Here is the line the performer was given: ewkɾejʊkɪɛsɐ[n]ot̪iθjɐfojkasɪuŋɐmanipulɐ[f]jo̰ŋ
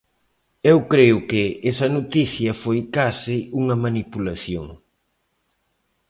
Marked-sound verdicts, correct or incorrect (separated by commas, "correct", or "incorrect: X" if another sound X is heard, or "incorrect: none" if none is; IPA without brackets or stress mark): correct, incorrect: θ